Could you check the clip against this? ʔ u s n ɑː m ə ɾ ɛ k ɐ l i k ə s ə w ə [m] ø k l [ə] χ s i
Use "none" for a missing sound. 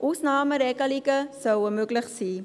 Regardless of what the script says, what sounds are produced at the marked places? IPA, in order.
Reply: m, ə

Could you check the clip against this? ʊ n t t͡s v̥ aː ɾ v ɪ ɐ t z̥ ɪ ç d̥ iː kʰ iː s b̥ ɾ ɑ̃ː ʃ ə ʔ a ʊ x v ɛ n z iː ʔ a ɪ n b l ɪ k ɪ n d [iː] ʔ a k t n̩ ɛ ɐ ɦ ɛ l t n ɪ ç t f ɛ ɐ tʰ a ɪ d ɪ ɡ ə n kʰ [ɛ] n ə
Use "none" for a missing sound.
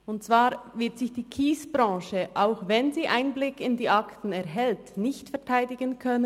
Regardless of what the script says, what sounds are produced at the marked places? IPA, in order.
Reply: iː, œ

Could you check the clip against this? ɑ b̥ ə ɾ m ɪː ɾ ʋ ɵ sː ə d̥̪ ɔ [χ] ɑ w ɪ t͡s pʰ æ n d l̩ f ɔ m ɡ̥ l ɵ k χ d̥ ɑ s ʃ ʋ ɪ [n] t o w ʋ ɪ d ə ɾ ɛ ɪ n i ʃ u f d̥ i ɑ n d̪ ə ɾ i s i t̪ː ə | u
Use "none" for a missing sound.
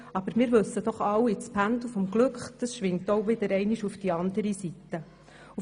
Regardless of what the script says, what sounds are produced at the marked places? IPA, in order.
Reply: χ, ŋ

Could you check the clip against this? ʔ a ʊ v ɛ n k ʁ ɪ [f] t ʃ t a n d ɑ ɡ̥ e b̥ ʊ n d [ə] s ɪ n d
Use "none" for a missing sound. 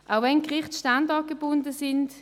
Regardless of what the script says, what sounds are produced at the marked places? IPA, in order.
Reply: χ, ə

